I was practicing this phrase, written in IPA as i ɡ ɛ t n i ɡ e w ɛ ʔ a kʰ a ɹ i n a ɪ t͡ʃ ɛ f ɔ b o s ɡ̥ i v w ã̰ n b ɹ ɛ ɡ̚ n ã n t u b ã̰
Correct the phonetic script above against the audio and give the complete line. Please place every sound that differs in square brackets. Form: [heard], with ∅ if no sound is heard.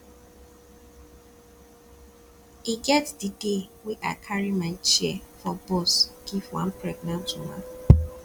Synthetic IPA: i ɡ ɛ t [d] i [d] e w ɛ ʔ a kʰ a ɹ i [m] a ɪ t͡ʃ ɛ f ɔ b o s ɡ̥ i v w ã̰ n [p] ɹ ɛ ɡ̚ n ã n t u [m] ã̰